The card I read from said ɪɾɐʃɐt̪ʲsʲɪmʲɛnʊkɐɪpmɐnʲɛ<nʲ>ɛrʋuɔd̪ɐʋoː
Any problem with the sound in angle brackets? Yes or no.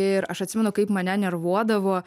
no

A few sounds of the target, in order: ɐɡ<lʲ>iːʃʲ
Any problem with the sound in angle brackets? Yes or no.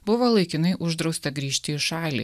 yes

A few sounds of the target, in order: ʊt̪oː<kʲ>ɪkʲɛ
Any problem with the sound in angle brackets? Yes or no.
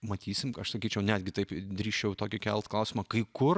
no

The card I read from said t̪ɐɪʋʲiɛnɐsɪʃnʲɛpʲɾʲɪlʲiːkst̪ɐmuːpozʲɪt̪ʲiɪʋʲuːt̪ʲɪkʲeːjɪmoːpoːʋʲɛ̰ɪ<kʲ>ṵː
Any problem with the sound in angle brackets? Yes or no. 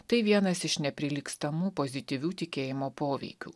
no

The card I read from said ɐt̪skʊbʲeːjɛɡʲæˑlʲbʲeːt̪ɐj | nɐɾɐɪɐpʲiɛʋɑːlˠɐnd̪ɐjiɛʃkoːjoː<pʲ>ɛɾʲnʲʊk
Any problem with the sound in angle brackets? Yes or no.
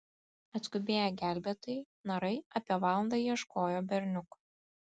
yes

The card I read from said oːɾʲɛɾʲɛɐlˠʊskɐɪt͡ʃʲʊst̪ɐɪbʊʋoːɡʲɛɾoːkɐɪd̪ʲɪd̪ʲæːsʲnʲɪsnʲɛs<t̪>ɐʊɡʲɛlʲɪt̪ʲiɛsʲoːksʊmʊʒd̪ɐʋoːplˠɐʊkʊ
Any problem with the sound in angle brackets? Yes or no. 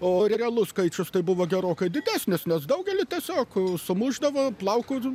yes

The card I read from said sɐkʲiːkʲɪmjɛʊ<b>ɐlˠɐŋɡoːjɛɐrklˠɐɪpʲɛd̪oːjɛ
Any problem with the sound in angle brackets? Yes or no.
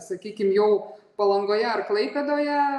yes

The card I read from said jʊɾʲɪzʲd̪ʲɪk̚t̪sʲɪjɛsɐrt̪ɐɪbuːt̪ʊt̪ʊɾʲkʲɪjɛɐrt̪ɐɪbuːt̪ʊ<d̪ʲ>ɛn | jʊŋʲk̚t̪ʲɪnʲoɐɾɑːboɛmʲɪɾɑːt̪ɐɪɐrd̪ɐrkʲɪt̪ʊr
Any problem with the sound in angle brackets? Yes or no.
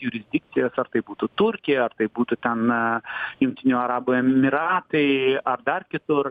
yes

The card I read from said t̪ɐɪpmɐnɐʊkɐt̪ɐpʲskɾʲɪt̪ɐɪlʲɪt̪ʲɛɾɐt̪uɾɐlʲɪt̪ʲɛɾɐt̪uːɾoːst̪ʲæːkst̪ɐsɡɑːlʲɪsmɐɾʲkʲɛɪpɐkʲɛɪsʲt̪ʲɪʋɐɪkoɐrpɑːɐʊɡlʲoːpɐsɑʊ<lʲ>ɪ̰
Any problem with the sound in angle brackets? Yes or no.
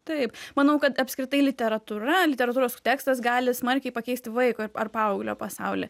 no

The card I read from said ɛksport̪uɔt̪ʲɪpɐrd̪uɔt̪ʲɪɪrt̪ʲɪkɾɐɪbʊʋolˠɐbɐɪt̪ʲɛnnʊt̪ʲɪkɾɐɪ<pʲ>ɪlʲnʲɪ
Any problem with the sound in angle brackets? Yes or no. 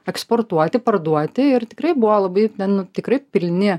no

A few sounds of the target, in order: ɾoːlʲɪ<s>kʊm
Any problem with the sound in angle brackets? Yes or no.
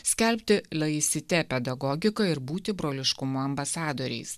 yes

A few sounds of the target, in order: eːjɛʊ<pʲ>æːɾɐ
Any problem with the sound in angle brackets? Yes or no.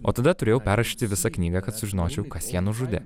no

